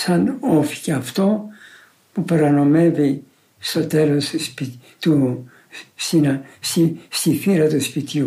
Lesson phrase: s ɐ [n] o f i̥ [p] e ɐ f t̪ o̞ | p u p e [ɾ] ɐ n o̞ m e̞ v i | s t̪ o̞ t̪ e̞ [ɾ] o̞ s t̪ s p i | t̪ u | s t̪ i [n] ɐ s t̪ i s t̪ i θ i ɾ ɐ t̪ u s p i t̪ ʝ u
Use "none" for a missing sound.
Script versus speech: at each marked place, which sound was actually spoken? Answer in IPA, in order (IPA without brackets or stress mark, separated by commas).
n, c, ɾ, l, n